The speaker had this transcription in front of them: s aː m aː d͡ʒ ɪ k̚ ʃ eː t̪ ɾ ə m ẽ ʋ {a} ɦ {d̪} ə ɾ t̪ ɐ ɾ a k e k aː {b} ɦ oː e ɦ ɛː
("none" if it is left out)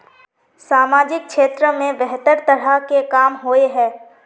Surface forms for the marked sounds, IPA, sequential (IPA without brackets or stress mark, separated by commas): ɛ, t̪, m